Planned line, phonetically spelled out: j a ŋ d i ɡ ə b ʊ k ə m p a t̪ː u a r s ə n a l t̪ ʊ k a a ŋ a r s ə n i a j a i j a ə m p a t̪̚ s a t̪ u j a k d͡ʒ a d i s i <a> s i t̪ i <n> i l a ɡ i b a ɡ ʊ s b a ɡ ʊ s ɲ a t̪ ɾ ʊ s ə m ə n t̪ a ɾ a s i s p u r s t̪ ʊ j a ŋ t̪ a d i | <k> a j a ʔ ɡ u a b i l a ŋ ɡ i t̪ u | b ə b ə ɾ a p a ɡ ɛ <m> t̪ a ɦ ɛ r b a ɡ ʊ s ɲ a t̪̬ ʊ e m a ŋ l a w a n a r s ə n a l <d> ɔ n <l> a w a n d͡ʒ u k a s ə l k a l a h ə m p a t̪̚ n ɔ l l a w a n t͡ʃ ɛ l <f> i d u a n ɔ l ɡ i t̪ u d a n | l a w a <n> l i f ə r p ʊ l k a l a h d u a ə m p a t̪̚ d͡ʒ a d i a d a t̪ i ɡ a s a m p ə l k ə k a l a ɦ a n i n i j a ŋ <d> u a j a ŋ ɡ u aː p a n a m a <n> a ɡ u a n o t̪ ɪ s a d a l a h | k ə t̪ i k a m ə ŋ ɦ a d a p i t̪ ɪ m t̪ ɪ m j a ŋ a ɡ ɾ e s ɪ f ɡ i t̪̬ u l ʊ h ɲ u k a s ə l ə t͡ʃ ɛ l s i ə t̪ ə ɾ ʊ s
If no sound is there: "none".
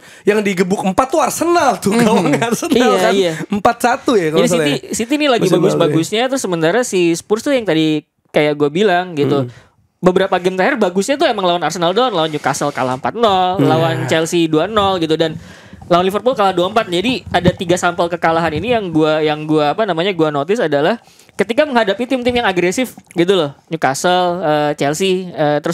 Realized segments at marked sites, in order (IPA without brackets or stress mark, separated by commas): i, n, k, m, d, l, s, n, ɡ, ɲ